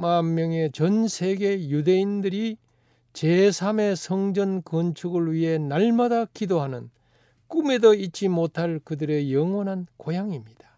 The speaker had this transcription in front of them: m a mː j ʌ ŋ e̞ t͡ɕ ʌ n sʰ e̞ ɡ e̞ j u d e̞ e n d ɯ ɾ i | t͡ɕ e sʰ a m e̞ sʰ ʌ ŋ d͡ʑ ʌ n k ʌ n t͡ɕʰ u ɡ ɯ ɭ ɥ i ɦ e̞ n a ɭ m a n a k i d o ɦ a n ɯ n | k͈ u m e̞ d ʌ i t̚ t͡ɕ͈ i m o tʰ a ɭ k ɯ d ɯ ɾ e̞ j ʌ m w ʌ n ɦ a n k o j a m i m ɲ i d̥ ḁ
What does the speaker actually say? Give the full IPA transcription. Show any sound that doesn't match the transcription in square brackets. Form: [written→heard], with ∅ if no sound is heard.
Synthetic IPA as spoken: m a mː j ʌ ŋ e̞ t͡ɕ ʌ n sʰ e̞ ɡ e̞ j u d e̞ [e→i] n d ɯ ɾ i | t͡ɕ e sʰ a m e̞ sʰ ʌ ŋ d͡ʑ ʌ n k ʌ n t͡ɕʰ u ɡ ɯ ɭ ɥ i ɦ e̞ n a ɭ m a [n→d] a k i d o ɦ a n ɯ n | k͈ u m e̞ d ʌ i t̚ t͡ɕ͈ i m o tʰ a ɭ k ɯ d ɯ ɾ e̞ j ʌ [m→ŋ] w ʌ n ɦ a n k o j a [m→ŋ] i m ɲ i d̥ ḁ